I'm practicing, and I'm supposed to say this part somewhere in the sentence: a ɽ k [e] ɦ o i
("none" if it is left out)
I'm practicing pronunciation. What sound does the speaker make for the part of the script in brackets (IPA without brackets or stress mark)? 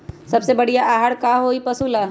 a